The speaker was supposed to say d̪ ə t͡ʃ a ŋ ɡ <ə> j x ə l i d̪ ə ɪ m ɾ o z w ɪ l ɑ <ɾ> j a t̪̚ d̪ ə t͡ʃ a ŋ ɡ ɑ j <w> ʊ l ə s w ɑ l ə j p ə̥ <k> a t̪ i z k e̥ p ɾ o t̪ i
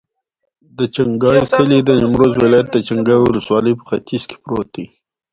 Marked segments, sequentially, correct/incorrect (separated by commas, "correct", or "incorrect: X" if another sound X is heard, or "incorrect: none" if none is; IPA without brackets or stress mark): incorrect: ɑ, incorrect: none, correct, incorrect: x